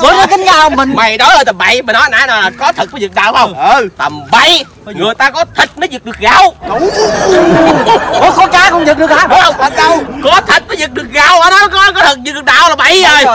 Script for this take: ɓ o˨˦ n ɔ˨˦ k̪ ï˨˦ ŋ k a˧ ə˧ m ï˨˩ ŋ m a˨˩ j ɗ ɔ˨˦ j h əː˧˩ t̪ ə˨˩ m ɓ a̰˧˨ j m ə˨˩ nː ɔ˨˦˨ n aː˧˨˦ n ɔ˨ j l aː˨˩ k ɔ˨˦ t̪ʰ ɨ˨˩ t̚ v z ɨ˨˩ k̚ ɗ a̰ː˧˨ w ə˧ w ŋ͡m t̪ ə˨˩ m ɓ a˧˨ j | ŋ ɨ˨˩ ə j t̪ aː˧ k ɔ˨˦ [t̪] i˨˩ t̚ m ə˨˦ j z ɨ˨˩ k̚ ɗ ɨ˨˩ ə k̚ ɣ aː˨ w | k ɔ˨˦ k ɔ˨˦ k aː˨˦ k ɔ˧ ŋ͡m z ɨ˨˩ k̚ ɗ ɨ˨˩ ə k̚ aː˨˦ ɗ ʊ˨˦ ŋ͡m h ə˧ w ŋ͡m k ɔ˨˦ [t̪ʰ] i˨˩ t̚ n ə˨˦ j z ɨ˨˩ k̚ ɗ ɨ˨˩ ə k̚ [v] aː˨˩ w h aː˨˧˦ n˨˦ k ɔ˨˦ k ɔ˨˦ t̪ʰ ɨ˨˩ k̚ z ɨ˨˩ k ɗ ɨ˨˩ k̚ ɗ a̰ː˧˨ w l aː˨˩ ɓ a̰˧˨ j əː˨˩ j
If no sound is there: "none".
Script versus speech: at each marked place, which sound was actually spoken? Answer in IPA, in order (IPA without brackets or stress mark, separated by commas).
t̪ʰ, t̪ʰ, ɣ